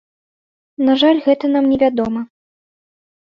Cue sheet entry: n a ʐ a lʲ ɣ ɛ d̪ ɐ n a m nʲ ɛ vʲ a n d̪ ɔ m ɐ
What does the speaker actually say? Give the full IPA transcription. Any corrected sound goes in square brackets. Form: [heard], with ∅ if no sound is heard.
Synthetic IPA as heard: n a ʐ a lʲ ɣ ɛ [t̪] ɐ n a m nʲ ɛ vʲ a [∅] d̪ ɔ m ɐ